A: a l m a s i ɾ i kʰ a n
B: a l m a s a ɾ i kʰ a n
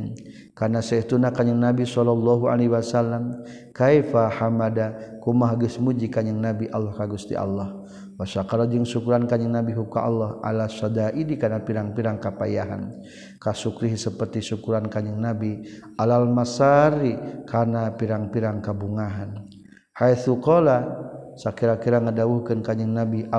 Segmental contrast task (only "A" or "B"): B